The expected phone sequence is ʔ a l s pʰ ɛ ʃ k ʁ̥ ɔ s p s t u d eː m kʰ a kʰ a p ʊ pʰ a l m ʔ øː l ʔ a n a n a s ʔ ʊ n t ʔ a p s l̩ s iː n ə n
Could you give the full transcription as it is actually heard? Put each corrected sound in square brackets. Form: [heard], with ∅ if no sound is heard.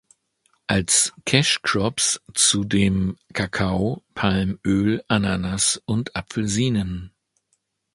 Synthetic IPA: ʔ a l s [kʰ] ɛ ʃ k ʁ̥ ɔ [∅] p s [t͡s] u d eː m kʰ a kʰ a [∅] ʊ pʰ a l m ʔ øː l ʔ a n a n a s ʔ ʊ n t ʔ a p [f] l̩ [z] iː n ə n